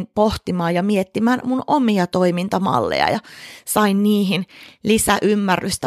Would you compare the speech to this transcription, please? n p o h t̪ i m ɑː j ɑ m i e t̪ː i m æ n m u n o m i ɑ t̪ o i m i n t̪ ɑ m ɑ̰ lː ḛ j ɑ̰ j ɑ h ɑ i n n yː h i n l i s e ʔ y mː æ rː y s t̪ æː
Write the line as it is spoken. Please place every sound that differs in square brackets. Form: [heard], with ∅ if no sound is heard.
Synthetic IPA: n p o h t̪ i m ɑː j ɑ m i e t̪ː i m æ n m u n o m i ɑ t̪ o i m i n t̪ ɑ m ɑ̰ lː ḛ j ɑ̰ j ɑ [s] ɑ i n n [iː] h i n l i s [æ] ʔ y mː æ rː y s t̪ [æ]